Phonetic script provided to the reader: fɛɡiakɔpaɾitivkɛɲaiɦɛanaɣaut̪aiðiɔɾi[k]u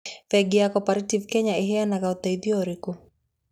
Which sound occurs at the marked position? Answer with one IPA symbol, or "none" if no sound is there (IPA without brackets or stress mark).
k